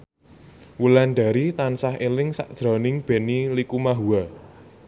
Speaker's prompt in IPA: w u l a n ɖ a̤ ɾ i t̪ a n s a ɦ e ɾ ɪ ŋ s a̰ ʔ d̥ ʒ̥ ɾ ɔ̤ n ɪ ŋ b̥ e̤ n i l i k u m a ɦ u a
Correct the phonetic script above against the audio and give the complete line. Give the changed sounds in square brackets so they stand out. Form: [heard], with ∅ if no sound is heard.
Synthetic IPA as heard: w u l a n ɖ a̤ ɾ i t̪ a n s a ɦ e [l] ɪ ŋ s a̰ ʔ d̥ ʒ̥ ɾ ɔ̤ n ɪ ŋ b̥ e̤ n i l i k u m a ɦ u a